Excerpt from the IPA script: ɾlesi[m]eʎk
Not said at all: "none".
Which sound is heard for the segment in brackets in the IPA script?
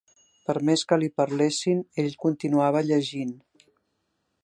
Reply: n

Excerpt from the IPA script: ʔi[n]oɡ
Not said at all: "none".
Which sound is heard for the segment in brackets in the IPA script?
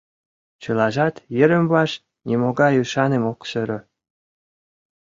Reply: m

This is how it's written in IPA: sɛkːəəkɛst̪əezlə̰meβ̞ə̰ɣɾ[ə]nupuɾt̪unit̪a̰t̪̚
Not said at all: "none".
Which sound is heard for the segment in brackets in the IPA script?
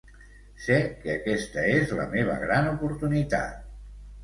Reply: a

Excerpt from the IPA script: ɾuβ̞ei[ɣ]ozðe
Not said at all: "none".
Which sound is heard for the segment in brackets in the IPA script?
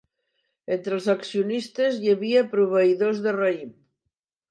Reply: ð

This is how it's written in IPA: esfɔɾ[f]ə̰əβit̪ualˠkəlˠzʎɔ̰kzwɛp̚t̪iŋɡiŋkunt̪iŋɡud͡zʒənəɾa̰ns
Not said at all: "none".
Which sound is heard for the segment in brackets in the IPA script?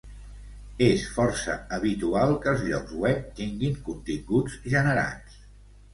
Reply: s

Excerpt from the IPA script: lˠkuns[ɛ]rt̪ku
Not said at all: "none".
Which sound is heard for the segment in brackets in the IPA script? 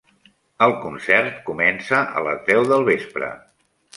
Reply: ɛ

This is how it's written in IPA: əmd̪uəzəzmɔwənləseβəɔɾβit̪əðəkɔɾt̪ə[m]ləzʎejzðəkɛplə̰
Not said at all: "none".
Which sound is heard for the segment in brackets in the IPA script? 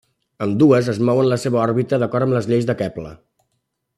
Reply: m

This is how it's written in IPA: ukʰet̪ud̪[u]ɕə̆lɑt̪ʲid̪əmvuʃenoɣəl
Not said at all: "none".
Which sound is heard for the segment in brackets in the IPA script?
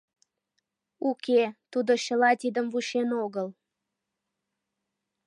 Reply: o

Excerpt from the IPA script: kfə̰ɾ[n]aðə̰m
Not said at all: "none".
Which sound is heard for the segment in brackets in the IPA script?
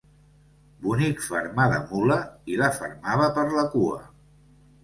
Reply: m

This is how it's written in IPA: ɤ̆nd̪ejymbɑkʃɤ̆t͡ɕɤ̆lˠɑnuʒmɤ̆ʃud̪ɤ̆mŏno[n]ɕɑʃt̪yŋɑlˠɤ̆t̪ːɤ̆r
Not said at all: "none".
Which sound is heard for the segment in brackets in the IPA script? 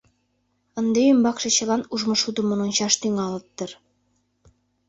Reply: n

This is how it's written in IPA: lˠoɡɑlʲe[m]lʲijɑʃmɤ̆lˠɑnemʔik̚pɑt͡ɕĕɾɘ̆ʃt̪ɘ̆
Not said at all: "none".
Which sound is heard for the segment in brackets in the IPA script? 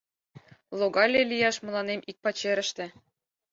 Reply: none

